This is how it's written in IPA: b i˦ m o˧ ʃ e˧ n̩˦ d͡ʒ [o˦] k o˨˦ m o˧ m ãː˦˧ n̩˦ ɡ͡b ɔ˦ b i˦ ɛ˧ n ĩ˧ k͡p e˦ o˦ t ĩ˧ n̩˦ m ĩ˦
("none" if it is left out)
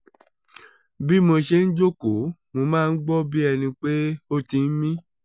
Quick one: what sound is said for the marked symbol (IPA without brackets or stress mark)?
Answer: o˦